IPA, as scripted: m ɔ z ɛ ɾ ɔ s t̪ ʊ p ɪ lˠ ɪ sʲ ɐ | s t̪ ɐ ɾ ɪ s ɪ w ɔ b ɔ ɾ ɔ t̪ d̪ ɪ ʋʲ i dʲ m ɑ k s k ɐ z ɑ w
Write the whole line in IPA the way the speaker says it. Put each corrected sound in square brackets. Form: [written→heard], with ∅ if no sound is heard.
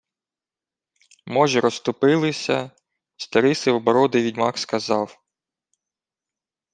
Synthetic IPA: m ɔ [z→ʒ] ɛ ɾ ɔ s t̪ ʊ p ɪ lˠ ɪ sʲ ɐ | s t̪ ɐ ɾ ɪ s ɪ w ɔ b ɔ ɾ ɔ [t̪→∅] d̪ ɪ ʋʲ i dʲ m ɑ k s k ɐ z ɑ w